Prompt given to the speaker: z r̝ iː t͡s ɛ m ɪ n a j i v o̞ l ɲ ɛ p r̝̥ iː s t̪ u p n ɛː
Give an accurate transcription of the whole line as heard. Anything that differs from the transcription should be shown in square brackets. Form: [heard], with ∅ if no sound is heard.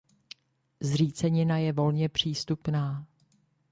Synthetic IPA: z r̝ iː t͡s ɛ [ɲ] ɪ n a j [ɛ] v o̞ l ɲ ɛ p r̝̥ iː s t̪ u p n [aː]